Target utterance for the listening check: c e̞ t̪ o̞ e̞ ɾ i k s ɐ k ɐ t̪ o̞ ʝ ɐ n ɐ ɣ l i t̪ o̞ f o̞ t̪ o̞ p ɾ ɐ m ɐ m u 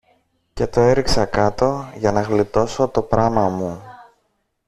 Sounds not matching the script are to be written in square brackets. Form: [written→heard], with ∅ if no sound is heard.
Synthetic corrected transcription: c e̞ t̪ o̞ e̞ ɾ i k s ɐ k ɐ t̪ o̞ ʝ ɐ n ɐ ɣ l i t̪ o̞ [f→s] o̞ t̪ o̞ p ɾ ɐ m ɐ m u